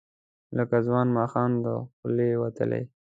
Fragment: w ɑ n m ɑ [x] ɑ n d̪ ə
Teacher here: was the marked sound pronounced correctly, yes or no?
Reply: yes